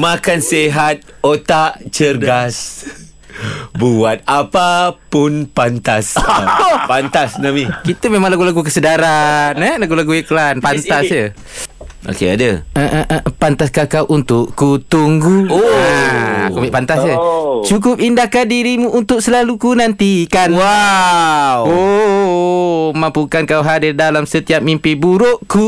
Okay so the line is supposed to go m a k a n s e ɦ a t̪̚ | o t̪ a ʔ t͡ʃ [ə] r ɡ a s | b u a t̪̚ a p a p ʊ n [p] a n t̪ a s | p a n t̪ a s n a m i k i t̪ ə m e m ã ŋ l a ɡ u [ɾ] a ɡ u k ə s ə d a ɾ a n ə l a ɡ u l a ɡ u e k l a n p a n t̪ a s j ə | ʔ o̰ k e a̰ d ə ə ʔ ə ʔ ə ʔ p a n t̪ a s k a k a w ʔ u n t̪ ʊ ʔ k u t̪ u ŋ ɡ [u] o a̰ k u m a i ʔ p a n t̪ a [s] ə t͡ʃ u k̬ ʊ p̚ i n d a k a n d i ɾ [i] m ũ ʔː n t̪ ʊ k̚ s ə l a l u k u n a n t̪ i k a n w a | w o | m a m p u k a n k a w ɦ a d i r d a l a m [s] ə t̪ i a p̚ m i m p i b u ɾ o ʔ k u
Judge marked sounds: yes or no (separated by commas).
yes, yes, no, yes, yes, yes, yes